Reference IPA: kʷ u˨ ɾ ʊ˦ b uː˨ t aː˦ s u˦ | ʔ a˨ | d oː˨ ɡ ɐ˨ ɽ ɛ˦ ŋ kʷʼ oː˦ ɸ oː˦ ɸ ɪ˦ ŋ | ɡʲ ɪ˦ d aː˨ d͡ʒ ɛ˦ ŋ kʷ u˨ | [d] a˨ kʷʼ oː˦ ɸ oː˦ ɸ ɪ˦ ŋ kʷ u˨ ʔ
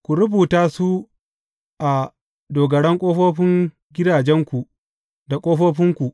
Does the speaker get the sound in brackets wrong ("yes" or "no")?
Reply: no